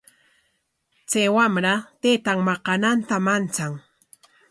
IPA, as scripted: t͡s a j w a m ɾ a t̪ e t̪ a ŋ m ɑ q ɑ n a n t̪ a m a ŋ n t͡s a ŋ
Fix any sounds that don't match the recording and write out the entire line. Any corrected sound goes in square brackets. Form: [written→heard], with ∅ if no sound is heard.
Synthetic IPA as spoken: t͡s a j w a m ɾ a t̪ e t̪ a ŋ m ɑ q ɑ n a n t̪ a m a [ŋ→∅] n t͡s a ŋ